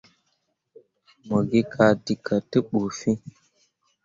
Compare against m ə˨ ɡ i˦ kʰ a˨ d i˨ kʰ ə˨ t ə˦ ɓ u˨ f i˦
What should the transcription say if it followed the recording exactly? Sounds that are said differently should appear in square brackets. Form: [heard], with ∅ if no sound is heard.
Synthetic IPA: m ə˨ ɡ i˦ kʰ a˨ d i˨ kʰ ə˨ t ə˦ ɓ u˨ f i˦